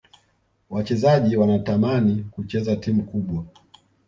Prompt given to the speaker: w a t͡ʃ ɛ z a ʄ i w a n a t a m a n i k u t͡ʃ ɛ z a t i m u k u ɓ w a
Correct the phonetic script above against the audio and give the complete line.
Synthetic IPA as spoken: w a t͡ʃ ɛ z a ʄ i w a n a t a m a n i k u t͡ʃ ɛ z a t i m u k u ɓ w a